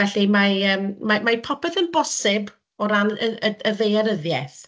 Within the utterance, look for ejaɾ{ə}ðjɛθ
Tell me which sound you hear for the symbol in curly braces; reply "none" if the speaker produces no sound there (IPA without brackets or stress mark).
ə